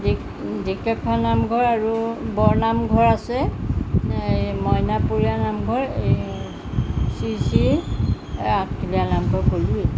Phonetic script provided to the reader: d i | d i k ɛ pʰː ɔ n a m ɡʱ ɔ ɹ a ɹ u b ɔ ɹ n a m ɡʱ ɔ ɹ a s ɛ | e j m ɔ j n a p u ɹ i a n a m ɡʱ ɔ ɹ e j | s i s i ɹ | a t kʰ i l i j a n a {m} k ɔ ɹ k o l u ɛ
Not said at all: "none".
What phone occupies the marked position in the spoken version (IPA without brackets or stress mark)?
m